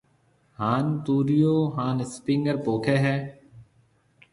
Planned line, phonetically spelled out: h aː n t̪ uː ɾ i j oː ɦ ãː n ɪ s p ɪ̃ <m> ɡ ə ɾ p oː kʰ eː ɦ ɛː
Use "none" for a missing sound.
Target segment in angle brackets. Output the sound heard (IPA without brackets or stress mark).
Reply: ŋ